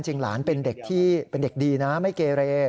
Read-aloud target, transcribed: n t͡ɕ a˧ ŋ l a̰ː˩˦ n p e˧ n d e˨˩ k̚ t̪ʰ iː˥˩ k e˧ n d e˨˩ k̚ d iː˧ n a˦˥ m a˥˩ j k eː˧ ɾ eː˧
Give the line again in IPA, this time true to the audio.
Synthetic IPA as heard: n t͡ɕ i˧ ŋ l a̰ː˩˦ n p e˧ n d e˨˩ k̚ t̪ʰ iː˥˩ p e˧ n d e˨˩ k̚ d iː˧ n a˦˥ m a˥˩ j k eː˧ ɾ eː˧

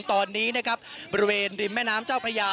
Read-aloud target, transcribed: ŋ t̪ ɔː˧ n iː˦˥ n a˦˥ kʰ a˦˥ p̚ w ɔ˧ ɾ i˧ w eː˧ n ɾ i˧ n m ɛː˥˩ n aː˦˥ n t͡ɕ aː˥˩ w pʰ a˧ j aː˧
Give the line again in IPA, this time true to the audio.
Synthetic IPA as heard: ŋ t̪ ɔː˧ nː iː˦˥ n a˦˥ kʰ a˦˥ p̚ b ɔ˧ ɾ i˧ w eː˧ n ɾ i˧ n m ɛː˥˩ n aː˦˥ m t͡ɕ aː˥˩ w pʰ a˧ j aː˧

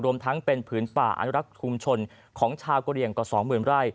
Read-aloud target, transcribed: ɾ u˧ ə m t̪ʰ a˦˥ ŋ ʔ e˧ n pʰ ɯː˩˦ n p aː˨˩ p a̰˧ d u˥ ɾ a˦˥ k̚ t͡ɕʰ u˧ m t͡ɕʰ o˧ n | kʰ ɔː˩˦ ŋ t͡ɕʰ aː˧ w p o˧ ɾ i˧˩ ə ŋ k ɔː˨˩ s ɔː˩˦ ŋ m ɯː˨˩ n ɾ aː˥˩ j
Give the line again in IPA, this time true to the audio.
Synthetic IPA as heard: ɾ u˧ ə m t̪ʰ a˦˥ ŋ p e˧ n pʰ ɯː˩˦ n p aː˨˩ ʔ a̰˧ n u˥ ɾ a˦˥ k̚ t͡ɕʰ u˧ m t͡ɕʰ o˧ n | kʰ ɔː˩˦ ŋ t͡ɕʰ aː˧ w k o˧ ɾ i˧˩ ə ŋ k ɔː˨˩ s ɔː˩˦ ŋ m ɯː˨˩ n ɾ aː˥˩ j

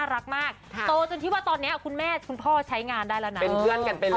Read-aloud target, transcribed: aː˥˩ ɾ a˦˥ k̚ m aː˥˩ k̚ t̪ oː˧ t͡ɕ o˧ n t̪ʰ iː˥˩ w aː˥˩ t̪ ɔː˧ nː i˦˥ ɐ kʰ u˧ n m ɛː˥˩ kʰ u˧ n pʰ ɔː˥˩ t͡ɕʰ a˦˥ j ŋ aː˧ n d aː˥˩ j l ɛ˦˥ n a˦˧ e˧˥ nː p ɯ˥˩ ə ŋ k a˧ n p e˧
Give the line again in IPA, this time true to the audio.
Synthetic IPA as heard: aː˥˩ ɾ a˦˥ k̚ m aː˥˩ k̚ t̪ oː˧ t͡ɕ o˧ n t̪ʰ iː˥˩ w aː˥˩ t̪ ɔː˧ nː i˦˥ ɐ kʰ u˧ n m ɛː˥˩ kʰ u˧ n pʰ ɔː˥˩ t͡ɕʰ a˦˥ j ŋ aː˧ n d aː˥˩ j l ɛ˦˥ n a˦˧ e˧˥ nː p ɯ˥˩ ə n k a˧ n p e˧

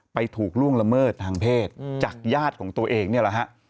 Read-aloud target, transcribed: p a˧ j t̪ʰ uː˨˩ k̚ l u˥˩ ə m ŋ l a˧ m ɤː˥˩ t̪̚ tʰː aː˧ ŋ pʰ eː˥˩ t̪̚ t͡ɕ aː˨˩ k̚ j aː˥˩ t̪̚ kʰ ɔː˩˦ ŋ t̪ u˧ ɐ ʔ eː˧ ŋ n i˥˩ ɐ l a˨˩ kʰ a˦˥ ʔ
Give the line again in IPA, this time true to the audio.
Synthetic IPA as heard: p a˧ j t̪ʰ uː˨˩ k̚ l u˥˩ ə ŋ l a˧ m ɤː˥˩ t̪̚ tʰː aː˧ ŋ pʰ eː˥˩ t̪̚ t͡ɕ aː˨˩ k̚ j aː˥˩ t̪̚ kʰ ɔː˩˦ ŋ t̪ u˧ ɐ ʔ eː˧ ŋ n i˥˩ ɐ l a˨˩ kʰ a˦˥ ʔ

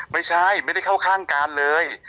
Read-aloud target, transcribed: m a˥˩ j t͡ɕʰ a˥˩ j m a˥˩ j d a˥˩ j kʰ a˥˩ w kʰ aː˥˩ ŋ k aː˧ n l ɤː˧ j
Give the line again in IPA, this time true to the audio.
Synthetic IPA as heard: m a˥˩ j t͡ɕʰ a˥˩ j m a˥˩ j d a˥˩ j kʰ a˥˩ w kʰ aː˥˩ ŋ k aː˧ n l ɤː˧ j

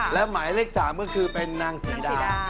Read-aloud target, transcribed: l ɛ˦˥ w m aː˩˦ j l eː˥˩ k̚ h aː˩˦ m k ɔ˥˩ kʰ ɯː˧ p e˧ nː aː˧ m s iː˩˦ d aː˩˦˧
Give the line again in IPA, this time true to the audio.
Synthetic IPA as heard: l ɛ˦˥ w m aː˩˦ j l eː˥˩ k̚ s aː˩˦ m k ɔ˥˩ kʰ ɯː˧ p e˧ nː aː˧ ŋ s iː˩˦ d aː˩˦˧

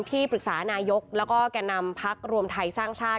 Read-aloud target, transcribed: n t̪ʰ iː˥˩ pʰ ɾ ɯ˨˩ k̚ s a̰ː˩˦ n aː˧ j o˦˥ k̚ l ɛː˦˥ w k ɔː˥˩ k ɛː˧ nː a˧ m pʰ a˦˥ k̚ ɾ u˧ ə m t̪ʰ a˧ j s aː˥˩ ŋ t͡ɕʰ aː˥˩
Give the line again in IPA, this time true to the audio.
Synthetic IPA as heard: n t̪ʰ iː˥˩ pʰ ɾ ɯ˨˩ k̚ s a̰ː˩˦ n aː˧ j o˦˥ k̚ l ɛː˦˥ w k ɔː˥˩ k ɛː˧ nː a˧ m pʰ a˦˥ k̚ ɾ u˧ ə m t̪ʰ a˧ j s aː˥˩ ŋ t͡ɕʰ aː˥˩

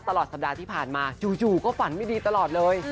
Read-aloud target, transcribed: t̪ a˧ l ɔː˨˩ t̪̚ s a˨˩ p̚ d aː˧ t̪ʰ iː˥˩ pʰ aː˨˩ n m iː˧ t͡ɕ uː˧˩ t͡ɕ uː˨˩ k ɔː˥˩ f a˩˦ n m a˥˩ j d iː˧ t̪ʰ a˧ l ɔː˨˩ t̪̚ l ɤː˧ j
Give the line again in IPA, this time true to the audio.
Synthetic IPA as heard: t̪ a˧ l ɔː˨˩ t̪̚ s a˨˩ p̚ d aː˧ t̪ʰ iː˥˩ pʰ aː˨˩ n m aː˧ t͡ɕ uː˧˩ t͡ɕ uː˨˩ k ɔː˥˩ f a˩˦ n m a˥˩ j d iː˧ t̪ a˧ l ɔː˨˩ t̪̚ l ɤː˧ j

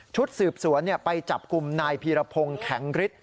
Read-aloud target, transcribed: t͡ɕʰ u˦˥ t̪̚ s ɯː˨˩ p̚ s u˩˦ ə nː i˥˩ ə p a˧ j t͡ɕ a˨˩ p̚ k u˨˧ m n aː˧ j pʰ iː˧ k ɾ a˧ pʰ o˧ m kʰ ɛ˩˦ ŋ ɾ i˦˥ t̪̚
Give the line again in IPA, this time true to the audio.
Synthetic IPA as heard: t͡ɕʰ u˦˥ t̪̚ s ɯː˨˩ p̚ s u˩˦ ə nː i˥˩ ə p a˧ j t͡ɕ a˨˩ p̚ k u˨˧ m n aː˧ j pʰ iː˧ ɾ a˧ pʰ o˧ ŋ kʰ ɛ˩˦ ŋ ɾ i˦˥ t̪̚

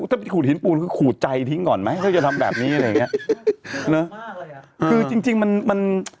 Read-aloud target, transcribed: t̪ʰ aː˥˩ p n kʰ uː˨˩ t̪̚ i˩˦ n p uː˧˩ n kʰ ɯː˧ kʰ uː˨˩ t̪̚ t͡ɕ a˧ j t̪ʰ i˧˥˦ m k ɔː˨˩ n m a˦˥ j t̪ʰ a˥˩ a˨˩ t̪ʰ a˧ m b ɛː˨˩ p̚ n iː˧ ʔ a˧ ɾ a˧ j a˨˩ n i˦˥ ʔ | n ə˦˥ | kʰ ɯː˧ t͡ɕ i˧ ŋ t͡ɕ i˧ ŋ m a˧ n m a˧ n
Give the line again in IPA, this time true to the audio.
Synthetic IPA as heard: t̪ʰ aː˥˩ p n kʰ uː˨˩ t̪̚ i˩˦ n p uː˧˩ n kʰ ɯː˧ kʰ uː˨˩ t̪̚ t͡ɕ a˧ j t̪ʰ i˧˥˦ ŋ k ɔː˨˩ n m a˦˥ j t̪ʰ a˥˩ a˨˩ t̪ʰ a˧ m b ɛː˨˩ p̚ n iː˦˥ ʔ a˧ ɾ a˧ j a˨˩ ŋ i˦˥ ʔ | n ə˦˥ | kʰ ɯː˧ t͡ɕ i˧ ŋ t͡ɕ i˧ ŋ m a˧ n m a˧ n

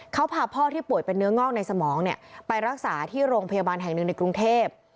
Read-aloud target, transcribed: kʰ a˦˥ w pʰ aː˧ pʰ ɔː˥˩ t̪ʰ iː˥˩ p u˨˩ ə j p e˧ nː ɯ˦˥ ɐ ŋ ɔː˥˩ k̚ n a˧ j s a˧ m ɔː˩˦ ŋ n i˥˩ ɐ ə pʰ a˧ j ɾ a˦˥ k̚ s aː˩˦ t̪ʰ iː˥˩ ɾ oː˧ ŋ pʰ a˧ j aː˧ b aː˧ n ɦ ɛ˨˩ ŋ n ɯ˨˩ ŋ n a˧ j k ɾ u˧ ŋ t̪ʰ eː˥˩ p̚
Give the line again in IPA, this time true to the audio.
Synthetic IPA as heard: kʰ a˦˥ w pʰ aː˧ pʰ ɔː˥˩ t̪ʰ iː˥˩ p u˨˩ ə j p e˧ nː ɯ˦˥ ɐ ŋ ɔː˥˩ k̚ n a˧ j s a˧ m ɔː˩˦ ŋ n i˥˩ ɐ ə p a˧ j ɾ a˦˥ k̚ s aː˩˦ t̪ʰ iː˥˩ ɾ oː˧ ŋ pʰ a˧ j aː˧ b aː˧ n ɦ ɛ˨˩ ŋ n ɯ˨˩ ŋ n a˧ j k ɾ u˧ ŋ t̪ʰ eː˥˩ p̚

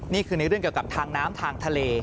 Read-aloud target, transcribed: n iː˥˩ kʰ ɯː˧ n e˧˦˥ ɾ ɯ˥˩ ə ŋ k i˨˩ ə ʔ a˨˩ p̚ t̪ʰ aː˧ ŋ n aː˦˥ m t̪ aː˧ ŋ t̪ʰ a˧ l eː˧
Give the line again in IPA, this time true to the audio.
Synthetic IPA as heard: n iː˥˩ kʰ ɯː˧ n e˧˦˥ ɾ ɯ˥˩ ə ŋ k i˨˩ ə k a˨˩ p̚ t̪ʰ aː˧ ŋ n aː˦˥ m t̪ʰ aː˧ ŋ t̪ʰ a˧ l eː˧

